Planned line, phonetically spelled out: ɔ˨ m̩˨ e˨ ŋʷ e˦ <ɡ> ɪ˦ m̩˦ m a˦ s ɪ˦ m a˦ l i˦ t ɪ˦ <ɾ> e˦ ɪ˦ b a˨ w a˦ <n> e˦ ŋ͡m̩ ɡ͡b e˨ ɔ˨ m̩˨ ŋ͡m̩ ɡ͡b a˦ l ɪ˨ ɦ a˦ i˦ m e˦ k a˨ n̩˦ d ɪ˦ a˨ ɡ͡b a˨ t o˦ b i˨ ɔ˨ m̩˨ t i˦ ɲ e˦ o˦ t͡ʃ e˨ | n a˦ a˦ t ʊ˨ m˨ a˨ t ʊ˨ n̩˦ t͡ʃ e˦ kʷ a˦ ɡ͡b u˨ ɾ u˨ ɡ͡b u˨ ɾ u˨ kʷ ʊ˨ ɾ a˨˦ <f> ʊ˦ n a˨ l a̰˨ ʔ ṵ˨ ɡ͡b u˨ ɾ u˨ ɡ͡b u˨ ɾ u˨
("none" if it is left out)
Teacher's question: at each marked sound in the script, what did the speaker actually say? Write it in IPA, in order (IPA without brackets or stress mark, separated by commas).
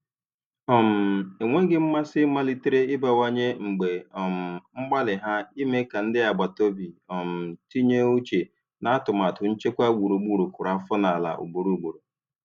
ɡ, ɾ, ɲ, f